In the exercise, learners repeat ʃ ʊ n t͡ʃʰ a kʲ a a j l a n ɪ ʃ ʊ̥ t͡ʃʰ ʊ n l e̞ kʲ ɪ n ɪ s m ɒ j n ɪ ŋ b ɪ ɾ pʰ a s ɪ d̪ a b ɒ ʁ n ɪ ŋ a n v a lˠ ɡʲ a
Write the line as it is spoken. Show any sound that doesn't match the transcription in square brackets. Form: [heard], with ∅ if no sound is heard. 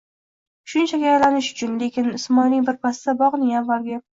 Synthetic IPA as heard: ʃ ʊ n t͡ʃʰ a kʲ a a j l a n ɪ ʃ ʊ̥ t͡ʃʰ ʊ n l e̞ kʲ ɪ n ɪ s m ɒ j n ɪ ŋ b ɪ ɾ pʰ a s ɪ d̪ a b ɒ ʁ n ɪ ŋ a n v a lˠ ɡʲ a

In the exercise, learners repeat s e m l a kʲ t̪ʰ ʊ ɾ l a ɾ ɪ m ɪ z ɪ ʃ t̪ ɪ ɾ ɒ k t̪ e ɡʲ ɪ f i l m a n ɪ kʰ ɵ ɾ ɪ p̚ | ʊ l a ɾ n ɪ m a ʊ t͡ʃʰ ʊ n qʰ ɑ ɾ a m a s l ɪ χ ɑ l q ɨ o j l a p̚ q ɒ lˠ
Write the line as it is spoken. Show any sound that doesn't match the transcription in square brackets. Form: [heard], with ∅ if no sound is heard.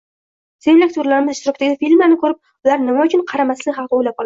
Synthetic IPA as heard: s e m l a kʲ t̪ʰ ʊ ɾ l a ɾ ɪ m ɪ z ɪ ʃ t̪ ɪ ɾ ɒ k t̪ [a] ɡʲ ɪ f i l m a n ɪ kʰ ɵ ɾ ɪ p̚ | ʊ l a ɾ n ɪ m a ʊ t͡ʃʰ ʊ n qʰ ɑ ɾ a m a s l ɪ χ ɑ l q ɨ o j l a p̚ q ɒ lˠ

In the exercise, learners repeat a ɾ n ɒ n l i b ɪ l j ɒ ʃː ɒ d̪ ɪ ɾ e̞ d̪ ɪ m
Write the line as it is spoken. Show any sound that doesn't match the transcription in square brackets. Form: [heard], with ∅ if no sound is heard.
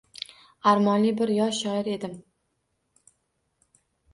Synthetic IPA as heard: a ɾ [m] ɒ n l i b ɪ [ɾ] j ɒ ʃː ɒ [∅] ɪ ɾ e̞ d̪ ɪ m

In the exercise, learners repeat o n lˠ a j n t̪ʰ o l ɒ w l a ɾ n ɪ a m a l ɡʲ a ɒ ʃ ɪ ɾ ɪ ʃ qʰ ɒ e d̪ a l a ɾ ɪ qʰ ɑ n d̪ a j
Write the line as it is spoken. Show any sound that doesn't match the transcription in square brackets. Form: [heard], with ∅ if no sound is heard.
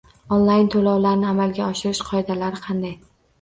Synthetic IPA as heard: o n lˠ a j n t̪ʰ o l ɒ w l a ɾ n ɪ a m a l ɡʲ a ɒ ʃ ɪ ɾ ɪ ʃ qʰ ɒ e d̪ a l a ɾ ɪ qʰ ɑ n d̪ a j

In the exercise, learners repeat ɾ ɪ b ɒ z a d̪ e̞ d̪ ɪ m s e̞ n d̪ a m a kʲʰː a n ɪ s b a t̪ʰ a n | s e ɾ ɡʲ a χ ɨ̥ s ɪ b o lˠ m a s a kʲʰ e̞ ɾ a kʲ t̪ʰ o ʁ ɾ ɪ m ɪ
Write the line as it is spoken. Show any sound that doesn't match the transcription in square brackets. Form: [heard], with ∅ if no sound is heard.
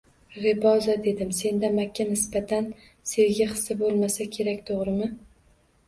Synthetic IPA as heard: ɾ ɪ b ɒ z a d̪ e̞ d̪ ɪ m s e̞ n d̪ a m a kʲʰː a n ɪ s b a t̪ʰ a n | s e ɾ ɡʲ a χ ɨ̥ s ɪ b o lˠ m a s a kʲʰ e̞ ɾ a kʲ t̪ʰ o ʁ ɾ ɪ m ɪ

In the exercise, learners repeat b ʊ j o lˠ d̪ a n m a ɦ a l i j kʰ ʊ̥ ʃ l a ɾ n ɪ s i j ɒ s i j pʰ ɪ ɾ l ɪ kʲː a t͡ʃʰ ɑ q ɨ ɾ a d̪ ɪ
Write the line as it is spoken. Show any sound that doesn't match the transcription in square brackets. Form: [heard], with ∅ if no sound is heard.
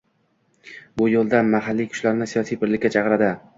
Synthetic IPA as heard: b ʊ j o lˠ d̪ a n m a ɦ a [lː] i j kʰ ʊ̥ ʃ l a ɾ n ɪ s i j ɒ s i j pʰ ɪ ɾ l ɪ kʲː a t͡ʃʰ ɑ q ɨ ɾ a d̪ ɪ

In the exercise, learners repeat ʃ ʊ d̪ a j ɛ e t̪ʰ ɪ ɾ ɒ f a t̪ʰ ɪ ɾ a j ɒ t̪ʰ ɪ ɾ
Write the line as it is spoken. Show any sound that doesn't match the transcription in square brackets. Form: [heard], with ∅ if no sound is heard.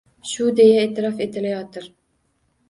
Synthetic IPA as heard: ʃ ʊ d̪ [e] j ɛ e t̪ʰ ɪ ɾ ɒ f [e] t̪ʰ ɪ [l] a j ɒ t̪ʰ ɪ ɾ

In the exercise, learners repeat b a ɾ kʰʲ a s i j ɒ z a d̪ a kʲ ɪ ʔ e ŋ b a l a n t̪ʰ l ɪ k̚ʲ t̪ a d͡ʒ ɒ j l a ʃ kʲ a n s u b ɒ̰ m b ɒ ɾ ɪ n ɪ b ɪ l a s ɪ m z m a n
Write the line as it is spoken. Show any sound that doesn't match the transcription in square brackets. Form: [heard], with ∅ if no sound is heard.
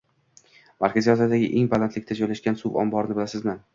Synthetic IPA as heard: [m] a ɾ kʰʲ a [z] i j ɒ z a d̪ a [ɡʲ] ɪ ʔ e ŋ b a l a n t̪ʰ l ɪ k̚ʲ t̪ a d͡ʒ ɒ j l a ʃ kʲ a n s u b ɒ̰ m b ɒ ɾ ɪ n ɪ b ɪ l a s ɪ [∅] z m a n

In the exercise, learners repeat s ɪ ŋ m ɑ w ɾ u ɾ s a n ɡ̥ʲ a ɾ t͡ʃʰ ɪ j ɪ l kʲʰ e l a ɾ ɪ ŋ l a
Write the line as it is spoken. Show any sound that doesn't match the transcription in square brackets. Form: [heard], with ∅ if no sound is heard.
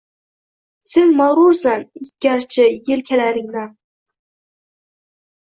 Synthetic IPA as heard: s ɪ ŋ m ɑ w ɾ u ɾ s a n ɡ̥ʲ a ɾ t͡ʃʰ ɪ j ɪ l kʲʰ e l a ɾ ɪ ŋ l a

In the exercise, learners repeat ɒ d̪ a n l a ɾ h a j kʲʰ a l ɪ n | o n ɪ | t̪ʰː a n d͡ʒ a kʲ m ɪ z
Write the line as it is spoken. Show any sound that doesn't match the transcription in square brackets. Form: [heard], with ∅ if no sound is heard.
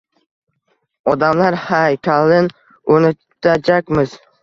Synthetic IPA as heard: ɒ d̪ a [m] l a ɾ h a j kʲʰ a l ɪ n | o n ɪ | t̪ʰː a [∅] d͡ʒ a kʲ m ɪ z

